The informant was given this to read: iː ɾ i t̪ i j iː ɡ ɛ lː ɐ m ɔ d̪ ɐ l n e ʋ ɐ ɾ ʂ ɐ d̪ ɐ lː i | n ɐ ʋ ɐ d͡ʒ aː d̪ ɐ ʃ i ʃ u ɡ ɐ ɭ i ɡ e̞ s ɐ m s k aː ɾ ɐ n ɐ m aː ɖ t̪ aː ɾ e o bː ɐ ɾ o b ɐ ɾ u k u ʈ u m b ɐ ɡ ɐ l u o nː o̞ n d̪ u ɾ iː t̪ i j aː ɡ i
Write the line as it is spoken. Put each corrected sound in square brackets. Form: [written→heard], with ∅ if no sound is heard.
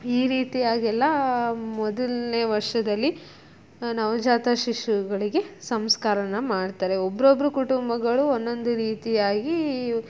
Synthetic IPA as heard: iː ɾ [i→iː] t̪ i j [iː→aː] ɡ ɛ lː ɐ m ɔ d̪ ɐ l n e ʋ ɐ ɾ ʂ ɐ d̪ ɐ lː i | n ɐ ʋ ɐ d͡ʒ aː [d̪→t̪] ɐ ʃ i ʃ u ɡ ɐ ɭ i ɡ e̞ s ɐ m s k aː ɾ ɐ n ɐ m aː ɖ t̪ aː ɾ e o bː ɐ ɾ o b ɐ ɾ u k u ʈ u m b ɐ ɡ ɐ [l→ɭ] u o nː o̞ n d̪ u ɾ iː t̪ i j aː ɡ i